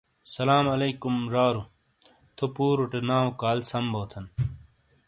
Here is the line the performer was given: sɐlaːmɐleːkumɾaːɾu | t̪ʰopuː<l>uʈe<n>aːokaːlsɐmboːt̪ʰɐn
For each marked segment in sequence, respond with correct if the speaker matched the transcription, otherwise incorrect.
incorrect, correct

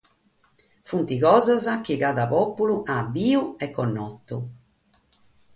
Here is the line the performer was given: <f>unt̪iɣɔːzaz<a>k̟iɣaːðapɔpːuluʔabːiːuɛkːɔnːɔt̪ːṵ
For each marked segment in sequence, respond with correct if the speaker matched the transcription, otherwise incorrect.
correct, correct

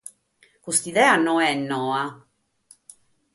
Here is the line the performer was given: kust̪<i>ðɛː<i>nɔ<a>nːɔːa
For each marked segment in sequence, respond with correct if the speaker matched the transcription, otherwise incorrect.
correct, incorrect, incorrect

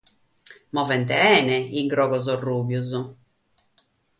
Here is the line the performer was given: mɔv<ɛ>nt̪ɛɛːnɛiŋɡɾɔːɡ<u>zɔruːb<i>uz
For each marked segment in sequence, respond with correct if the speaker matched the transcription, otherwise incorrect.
correct, incorrect, incorrect

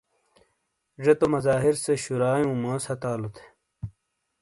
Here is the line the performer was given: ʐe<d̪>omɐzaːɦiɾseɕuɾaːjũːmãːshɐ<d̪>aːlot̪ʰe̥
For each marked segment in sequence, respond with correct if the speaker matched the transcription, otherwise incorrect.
incorrect, incorrect

